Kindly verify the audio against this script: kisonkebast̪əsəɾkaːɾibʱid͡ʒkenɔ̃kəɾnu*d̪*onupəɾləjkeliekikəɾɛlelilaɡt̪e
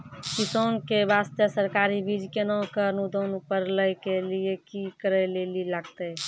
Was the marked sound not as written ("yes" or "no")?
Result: no